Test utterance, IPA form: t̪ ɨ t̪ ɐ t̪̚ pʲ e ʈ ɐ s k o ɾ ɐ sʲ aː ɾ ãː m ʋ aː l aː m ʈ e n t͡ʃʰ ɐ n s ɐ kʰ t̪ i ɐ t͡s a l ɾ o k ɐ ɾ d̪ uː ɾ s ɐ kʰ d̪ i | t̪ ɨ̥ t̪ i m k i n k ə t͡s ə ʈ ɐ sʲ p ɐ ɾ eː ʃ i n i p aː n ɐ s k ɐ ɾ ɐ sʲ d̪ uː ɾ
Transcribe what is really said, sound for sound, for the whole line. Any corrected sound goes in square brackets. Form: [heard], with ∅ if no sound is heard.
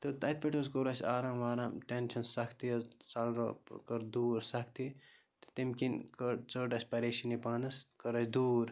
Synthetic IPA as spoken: t̪ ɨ t̪ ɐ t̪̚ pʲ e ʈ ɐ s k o ɾ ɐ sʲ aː ɾ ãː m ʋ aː [ɾ] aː m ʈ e n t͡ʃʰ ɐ n s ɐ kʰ t̪ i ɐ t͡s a l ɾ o k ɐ ɾ d̪ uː ɾ s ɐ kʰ [t̪] i | t̪ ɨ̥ t̪ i m k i n k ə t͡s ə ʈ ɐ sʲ p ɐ ɾ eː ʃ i n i p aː n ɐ s k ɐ ɾ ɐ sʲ d̪ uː ɾ